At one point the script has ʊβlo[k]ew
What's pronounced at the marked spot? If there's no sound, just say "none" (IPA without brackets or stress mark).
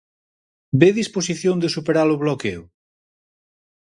k